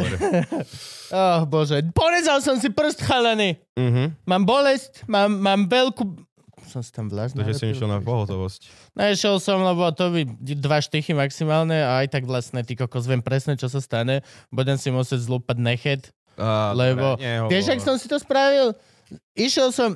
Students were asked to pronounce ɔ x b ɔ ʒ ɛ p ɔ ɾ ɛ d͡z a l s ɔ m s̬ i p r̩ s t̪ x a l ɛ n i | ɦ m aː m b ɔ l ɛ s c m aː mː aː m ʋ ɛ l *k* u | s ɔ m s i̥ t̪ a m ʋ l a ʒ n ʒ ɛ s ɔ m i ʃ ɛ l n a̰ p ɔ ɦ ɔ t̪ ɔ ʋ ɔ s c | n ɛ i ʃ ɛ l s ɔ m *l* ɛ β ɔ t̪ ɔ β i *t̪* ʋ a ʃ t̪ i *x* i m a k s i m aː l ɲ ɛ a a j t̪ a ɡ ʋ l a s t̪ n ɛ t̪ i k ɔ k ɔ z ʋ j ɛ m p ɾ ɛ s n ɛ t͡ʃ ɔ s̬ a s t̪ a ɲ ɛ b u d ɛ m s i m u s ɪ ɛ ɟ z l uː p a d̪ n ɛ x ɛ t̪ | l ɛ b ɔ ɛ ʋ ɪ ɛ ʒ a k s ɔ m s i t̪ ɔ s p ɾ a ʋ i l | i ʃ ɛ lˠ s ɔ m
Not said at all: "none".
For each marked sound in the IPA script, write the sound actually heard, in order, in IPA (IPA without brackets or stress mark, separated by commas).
k, l, d̪, x